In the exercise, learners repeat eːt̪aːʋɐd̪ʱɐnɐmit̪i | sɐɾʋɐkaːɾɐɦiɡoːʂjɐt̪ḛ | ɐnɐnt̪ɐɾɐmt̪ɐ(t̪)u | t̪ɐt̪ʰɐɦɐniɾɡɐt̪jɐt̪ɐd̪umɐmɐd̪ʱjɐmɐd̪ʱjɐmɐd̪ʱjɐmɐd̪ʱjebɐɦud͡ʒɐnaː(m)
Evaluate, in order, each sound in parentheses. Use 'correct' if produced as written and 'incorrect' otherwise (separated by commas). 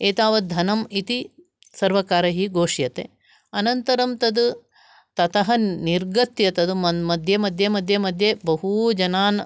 incorrect, incorrect